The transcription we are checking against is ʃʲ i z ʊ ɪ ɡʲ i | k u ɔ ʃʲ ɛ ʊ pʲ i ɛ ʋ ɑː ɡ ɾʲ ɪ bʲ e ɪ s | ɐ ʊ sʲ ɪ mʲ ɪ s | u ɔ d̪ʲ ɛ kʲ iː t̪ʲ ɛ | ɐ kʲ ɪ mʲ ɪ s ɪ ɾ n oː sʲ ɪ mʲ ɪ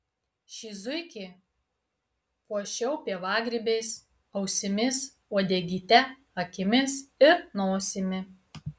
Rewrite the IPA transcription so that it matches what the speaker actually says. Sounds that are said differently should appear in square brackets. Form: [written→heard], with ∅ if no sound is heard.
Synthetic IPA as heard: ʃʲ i z ʊ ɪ [ɡʲ→kʲ] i | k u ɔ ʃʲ ɛ ʊ pʲ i ɛ ʋ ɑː ɡ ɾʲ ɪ bʲ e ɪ s | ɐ ʊ sʲ ɪ mʲ ɪ s | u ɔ d̪ʲ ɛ [kʲ→ɡʲ] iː t̪ʲ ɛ | ɐ kʲ ɪ mʲ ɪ s ɪ ɾ n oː sʲ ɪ mʲ ɪ

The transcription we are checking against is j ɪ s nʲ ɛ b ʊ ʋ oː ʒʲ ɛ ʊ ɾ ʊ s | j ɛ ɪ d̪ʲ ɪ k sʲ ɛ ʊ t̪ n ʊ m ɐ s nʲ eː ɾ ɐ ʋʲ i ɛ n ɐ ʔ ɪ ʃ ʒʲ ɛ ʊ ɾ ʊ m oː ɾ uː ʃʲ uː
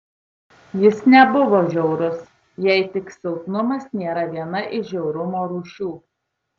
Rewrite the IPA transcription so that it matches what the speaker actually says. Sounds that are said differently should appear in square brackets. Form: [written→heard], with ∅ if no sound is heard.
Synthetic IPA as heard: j ɪ s nʲ ɛ b ʊ ʋ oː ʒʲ ɛ ʊ ɾ ʊ s | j ɛ ɪ [d̪ʲ→t̪ʲ] ɪ k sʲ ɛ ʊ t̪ n ʊ m ɐ s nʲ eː ɾ ɐ ʋʲ i ɛ n ɐ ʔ ɪ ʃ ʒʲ ɛ ʊ ɾ ʊ m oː ɾ uː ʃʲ uː

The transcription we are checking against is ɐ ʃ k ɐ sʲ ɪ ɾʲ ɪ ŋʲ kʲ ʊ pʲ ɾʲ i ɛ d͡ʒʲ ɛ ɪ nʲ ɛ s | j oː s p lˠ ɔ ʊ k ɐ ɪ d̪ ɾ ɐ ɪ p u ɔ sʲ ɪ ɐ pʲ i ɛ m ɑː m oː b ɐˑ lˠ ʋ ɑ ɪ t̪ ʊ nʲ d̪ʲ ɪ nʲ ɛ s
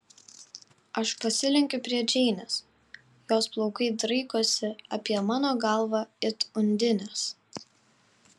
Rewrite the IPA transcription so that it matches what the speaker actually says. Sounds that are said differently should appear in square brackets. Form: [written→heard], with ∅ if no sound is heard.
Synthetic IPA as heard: ɐ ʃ [k→p] ɐ sʲ ɪ [ɾʲ→lʲ] ɪ ŋʲ kʲ ʊ pʲ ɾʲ i ɛ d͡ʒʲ ɛ ɪ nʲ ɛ s | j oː s p lˠ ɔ ʊ k ɐ ɪ d̪ ɾ ɐ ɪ [p→k] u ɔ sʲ ɪ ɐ pʲ i ɛ m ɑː [m→n] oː [b→ɡ] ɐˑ lˠ ʋ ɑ ɪ t̪ ʊ nʲ d̪ʲ ɪ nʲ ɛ s

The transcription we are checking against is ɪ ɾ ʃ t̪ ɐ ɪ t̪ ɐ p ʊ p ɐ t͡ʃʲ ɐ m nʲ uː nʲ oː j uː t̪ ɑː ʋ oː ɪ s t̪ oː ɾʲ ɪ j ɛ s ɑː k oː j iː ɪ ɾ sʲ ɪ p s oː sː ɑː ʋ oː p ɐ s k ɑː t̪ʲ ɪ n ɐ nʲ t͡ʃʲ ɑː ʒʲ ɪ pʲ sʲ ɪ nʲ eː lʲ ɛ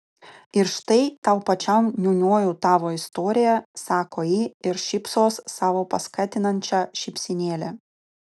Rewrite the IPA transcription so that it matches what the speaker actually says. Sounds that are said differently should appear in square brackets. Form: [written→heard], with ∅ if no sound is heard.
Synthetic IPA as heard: ɪ ɾ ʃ t̪ ɐ ɪ t̪ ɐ [p→∅] ʊ p ɐ t͡ʃʲ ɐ m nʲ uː nʲ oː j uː t̪ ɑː ʋ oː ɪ s t̪ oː ɾʲ ɪ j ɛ s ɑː k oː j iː ɪ ɾ [sʲ→ʃʲ] ɪ p s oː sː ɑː ʋ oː p ɐ s k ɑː t̪ʲ ɪ n ɐ nʲ t͡ʃʲ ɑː [ʒʲ→ʃʲ] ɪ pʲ sʲ ɪ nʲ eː lʲ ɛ

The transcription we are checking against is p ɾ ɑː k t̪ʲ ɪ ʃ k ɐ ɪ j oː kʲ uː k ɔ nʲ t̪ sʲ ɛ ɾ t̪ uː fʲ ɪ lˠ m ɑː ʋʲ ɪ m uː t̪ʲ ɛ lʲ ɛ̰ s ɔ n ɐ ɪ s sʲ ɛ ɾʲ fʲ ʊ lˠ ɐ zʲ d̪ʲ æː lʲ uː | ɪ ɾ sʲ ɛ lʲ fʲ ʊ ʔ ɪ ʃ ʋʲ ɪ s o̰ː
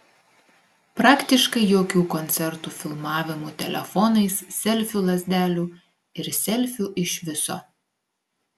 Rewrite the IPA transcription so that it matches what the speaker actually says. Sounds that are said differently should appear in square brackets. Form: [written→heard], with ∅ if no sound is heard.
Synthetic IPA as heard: p ɾ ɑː k t̪ʲ ɪ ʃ k ɐ ɪ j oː kʲ uː k ɔ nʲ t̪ sʲ ɛ ɾ t̪ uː fʲ ɪ lˠ m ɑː ʋʲ ɪ m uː t̪ʲ ɛ lʲ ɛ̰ [s→f] ɔ n ɐ ɪ s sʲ ɛ [ɾʲ→lʲ] fʲ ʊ lˠ ɐ zʲ d̪ʲ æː lʲ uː | ɪ ɾ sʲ ɛ lʲ fʲ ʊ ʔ ɪ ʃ ʋʲ ɪ s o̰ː

